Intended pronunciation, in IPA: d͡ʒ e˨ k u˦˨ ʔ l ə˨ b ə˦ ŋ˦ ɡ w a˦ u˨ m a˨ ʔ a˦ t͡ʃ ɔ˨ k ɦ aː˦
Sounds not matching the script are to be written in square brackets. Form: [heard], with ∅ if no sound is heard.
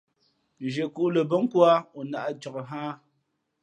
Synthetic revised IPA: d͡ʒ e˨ k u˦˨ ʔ l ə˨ b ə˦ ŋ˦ [k] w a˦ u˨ [n] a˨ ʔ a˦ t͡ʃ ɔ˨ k ɦ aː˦